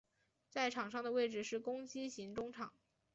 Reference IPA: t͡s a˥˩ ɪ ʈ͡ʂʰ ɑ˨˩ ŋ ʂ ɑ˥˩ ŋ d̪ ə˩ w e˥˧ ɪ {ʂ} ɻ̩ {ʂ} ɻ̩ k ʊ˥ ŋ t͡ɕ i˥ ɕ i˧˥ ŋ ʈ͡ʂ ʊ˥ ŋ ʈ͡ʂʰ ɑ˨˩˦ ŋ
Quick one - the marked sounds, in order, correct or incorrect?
incorrect: ʈ͡ʂ, correct

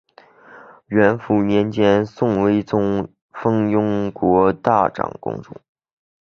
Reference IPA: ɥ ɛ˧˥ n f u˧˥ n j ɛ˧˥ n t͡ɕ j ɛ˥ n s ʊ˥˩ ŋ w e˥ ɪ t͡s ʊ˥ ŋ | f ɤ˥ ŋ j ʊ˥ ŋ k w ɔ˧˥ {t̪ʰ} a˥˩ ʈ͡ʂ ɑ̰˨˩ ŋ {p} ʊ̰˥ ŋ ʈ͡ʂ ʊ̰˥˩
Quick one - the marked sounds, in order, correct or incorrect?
incorrect: t̪, incorrect: k

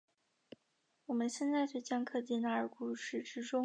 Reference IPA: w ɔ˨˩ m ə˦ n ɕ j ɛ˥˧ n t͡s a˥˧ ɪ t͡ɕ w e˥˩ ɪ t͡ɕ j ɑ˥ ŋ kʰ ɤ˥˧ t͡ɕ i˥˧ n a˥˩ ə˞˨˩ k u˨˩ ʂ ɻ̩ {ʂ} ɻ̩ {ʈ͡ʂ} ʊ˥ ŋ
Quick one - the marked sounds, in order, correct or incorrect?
incorrect: ʈ͡ʂ, correct

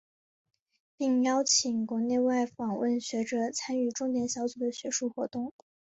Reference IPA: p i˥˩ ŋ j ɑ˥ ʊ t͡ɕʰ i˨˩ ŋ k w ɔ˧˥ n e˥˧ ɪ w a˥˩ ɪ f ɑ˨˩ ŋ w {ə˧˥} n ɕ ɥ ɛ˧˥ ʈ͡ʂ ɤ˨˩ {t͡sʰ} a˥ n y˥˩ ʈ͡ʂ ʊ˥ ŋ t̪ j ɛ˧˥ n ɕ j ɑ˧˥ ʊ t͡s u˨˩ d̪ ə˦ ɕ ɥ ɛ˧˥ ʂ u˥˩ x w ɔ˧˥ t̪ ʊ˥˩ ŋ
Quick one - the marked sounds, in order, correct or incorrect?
incorrect: ə˥˩, correct

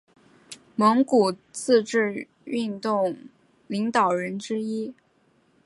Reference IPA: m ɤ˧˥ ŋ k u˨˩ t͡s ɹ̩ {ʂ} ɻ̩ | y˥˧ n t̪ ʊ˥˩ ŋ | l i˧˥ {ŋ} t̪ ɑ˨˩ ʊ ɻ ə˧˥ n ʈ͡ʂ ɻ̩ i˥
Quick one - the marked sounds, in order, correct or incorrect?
incorrect: ʈ͡ʂ, correct

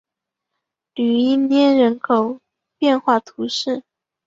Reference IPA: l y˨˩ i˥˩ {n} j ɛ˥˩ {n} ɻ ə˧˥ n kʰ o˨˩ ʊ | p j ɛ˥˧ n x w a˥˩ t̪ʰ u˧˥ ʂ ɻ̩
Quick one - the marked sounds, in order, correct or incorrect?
correct, correct

